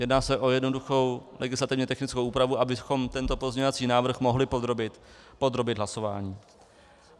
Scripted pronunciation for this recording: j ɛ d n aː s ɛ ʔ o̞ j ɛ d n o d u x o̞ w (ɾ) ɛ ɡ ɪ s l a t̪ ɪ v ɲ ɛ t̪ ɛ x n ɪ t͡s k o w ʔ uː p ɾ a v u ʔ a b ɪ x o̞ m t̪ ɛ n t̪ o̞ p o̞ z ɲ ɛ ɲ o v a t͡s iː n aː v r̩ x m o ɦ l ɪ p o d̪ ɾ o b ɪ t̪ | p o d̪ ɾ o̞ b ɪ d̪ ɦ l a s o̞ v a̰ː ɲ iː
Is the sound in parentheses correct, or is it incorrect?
incorrect